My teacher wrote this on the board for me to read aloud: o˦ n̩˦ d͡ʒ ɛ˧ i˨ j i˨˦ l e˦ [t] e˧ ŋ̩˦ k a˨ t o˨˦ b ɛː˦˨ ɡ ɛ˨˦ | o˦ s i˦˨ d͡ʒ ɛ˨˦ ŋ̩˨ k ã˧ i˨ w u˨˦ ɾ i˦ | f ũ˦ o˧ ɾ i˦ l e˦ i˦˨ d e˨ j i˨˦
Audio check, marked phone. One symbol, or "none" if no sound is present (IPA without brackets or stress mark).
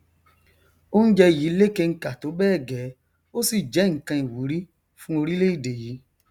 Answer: k